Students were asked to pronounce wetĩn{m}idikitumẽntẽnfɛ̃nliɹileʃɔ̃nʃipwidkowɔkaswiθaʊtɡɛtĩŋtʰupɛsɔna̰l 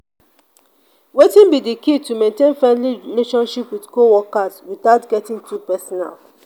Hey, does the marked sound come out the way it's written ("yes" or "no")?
no